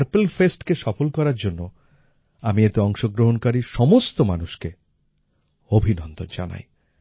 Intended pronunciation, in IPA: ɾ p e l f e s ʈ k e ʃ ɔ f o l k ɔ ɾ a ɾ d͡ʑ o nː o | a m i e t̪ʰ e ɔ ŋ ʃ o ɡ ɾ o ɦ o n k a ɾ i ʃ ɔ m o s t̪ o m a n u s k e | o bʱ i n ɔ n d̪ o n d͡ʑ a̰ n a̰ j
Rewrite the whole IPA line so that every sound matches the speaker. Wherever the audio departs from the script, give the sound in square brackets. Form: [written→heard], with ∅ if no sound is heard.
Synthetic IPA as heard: ɾ p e l f e s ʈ k e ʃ ɔ f o l k ɔ ɾ a ɾ d͡ʑ o nː o | a m i e [t̪ʰ→t̪] e ɔ ŋ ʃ o ɡ ɾ o ɦ o n k a ɾ i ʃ ɔ m o s t̪ o m a n u [s→ʃ] k e | o bʱ i n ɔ n d̪ o n d͡ʑ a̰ n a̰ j